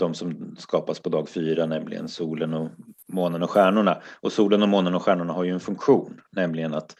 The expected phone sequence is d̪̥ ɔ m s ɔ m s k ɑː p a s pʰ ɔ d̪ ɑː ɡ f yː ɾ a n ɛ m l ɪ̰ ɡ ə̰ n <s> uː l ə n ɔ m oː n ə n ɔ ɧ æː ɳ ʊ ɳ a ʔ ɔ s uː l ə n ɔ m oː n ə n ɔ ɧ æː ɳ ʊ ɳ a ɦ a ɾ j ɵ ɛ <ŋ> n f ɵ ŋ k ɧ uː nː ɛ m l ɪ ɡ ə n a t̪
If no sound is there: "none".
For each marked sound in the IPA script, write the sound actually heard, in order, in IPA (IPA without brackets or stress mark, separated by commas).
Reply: s, none